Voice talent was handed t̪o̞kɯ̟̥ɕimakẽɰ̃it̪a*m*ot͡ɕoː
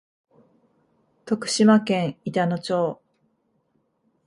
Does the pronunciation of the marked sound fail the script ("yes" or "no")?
yes